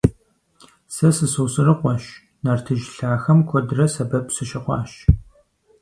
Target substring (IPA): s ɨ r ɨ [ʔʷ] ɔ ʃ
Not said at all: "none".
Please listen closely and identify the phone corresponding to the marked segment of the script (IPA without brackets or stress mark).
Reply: qʷ